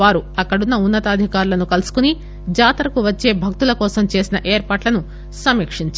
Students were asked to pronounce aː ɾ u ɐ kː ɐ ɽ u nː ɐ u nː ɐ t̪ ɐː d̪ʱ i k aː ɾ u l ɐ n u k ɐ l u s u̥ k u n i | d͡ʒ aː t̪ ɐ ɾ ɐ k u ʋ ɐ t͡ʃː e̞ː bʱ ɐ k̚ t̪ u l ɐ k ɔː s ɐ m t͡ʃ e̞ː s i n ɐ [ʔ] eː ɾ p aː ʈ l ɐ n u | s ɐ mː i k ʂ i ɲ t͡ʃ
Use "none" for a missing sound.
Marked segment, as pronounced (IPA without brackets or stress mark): ʔ